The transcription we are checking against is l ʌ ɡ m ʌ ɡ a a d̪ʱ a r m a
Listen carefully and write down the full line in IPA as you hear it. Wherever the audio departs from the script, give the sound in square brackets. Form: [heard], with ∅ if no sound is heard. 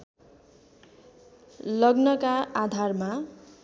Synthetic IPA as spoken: l ʌ ɡ [n] ʌ [k] a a d̪ʱ a r m a